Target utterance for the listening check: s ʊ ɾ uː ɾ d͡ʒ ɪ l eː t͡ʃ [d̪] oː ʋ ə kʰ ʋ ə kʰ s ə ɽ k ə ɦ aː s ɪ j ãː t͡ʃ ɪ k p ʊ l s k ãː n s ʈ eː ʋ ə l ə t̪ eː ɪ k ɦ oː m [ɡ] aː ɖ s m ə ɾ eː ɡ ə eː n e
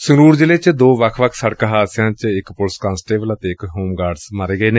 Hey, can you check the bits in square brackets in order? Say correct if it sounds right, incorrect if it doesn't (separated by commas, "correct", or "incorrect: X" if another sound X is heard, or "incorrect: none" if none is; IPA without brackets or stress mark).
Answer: correct, correct